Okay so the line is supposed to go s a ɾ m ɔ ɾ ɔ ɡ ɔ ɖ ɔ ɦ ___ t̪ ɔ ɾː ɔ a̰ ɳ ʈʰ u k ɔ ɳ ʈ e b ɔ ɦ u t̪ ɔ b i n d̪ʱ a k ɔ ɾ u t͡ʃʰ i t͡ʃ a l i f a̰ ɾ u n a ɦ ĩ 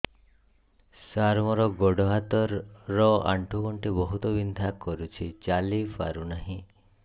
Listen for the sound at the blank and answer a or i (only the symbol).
a